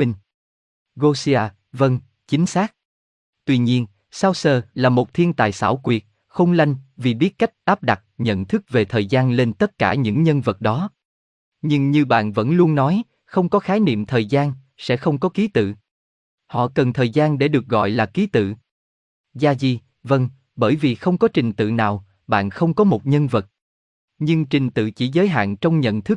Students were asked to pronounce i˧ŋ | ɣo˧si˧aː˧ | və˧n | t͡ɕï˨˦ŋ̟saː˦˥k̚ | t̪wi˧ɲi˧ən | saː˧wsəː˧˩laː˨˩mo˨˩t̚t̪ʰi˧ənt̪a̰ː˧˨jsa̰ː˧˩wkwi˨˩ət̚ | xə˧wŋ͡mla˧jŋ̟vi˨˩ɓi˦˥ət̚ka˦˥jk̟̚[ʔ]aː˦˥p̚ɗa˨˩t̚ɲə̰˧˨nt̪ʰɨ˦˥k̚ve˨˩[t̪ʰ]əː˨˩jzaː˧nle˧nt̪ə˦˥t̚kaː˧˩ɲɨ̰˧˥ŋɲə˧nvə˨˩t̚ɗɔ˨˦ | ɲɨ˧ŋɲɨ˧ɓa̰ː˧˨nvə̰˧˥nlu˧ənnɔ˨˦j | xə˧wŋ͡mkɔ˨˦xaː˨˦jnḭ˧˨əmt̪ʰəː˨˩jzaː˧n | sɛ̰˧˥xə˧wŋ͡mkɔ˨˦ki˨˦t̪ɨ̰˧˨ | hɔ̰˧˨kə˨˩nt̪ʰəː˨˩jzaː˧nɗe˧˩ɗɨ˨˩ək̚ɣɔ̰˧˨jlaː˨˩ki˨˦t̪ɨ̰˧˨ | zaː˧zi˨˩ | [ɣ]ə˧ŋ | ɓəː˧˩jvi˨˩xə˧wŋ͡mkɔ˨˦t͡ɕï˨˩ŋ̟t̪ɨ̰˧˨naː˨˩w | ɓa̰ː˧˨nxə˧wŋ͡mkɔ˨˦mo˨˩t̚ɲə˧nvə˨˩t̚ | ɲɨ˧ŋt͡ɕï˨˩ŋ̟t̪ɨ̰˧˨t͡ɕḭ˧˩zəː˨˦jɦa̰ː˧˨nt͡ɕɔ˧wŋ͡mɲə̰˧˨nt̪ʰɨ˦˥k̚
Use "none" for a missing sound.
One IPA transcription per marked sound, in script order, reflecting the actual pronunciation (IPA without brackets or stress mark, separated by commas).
ʔ, t̪ʰ, v